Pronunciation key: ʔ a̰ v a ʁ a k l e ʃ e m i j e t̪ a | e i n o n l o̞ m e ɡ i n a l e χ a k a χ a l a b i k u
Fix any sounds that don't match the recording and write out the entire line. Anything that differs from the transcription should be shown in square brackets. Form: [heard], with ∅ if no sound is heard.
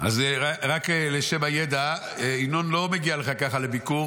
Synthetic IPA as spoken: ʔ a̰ [z] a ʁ a k l e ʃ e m [a] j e [d̪] a | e i n o n l o̞ m e ɡ i [∅] a l e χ a k a χ a l [e] b i k u